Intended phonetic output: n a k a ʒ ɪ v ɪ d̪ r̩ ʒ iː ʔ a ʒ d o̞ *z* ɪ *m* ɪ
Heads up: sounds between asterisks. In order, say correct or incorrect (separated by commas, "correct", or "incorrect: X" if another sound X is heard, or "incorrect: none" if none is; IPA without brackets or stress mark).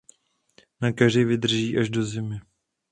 correct, correct